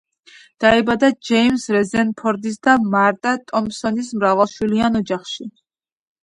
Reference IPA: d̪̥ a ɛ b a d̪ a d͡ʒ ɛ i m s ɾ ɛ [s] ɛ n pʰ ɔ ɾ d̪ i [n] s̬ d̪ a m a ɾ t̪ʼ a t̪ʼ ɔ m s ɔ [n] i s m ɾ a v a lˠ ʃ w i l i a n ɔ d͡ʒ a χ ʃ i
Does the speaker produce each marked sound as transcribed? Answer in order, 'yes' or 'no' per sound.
no, no, yes

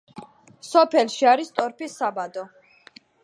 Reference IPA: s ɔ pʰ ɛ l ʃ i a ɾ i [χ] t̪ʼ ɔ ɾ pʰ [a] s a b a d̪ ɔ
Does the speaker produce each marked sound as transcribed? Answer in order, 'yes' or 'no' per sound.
no, no

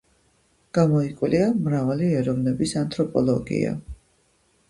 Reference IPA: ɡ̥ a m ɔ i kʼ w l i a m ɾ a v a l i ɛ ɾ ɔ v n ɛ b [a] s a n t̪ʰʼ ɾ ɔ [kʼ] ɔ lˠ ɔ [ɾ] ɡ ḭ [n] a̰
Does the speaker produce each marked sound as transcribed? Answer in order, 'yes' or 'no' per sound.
no, no, no, no

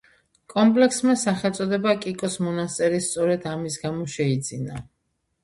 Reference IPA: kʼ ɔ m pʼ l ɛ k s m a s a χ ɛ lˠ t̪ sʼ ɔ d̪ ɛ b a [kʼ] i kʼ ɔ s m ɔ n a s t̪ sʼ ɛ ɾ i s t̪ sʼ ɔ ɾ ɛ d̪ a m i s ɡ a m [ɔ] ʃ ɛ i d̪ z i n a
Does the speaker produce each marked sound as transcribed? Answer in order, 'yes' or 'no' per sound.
yes, yes

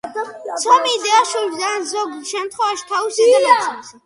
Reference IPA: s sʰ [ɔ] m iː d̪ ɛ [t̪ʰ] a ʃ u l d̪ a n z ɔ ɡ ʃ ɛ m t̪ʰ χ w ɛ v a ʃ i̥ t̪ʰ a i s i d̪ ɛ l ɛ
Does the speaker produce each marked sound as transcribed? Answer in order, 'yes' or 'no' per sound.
yes, no

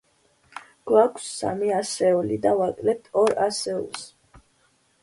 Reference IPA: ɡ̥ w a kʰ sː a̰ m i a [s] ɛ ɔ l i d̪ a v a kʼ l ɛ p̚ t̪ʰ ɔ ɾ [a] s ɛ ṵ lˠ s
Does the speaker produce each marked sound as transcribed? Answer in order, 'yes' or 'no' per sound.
yes, yes

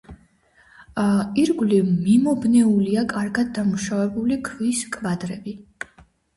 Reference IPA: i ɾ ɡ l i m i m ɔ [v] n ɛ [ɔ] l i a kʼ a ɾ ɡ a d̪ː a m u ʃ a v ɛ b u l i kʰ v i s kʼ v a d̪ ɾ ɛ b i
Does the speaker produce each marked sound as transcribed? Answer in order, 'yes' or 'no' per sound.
no, no

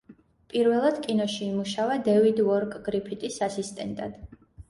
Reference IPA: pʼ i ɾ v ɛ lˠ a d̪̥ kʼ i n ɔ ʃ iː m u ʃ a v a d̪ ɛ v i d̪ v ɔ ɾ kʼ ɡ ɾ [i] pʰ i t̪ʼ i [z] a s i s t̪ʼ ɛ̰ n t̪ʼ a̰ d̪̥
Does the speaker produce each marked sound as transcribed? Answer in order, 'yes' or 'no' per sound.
yes, no

